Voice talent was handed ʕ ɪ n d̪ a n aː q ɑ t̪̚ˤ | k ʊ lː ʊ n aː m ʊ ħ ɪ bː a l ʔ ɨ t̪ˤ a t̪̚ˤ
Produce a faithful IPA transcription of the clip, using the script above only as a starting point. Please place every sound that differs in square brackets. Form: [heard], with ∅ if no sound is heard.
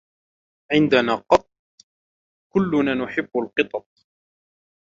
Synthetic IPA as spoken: ʕ ɪ n d̪ a n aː q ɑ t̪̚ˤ | k ʊ lː ʊ n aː [n] ʊ ħ ɪ bː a l [q] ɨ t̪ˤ [ɑ] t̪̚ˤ